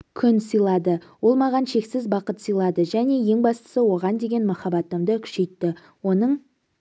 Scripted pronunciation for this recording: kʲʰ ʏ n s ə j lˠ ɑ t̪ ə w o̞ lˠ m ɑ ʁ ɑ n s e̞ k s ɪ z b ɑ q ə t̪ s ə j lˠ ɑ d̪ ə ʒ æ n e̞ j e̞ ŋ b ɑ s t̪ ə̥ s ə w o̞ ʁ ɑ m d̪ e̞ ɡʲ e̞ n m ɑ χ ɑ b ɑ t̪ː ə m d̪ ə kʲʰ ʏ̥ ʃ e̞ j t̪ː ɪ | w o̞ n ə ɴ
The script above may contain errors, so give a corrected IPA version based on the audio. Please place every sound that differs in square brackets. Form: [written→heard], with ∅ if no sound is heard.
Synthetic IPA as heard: kʲʰ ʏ n s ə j lˠ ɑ [t̪→d̪] ə w o̞ lˠ m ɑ ʁ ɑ n [s→ʃ] e̞ k s ɪ z b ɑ q ə t̪ s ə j lˠ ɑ d̪ ə ʒ æ n e̞ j e̞ ŋ b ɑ s t̪ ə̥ s ə w o̞ ʁ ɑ [m→n] d̪ e̞ ɡʲ e̞ n m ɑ χ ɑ b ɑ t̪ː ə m d̪ ə kʲʰ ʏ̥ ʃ e̞ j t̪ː ɪ | w o̞ n ə ɴ